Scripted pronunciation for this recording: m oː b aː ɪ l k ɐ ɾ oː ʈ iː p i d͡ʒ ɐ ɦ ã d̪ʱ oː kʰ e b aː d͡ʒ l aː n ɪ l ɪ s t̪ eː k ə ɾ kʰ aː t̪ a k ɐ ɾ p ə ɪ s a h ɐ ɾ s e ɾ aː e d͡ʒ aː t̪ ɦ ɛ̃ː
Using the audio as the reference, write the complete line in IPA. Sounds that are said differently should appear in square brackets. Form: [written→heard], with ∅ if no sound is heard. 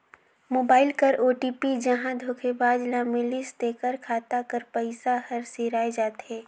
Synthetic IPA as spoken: m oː b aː ɪ l k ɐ ɾ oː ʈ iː p i d͡ʒ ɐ ɦ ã d̪ʱ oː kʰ e b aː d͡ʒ l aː [n→m] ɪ l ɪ s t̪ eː k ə ɾ kʰ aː t̪ a k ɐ ɾ p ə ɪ s a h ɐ ɾ s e ɾ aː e d͡ʒ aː t̪ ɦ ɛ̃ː